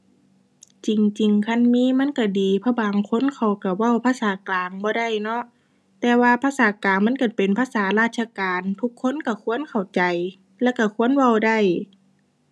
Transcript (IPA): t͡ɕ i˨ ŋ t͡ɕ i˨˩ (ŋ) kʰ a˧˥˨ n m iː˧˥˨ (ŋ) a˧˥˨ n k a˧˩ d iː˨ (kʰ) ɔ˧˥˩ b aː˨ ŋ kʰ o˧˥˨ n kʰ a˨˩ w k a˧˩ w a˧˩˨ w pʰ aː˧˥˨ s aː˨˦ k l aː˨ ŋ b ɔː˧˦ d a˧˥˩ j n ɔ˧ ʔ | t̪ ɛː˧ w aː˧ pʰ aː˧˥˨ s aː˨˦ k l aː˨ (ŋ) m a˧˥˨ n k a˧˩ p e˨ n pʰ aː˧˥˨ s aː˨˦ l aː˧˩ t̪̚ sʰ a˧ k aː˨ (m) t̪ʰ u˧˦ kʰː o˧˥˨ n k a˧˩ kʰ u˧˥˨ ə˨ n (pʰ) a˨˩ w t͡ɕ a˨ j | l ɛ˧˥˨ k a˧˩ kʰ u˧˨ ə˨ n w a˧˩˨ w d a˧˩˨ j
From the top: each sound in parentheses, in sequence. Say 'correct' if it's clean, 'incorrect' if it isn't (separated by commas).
correct, incorrect, incorrect, correct, incorrect, incorrect